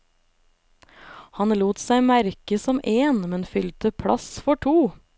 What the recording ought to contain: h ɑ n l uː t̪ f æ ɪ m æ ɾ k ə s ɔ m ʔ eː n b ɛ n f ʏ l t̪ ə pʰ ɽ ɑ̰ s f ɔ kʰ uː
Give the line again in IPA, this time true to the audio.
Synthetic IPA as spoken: h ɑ n l uː t̪ s æ ɪ m æ ɾ k ə s ɔ m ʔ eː n m ɛ n f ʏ l t̪ ə pʰ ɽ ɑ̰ s f ɔ ʈʰ uː